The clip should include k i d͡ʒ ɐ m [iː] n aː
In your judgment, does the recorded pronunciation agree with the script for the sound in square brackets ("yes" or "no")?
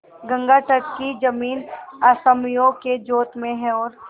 yes